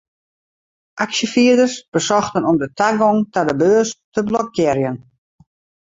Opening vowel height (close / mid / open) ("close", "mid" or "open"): open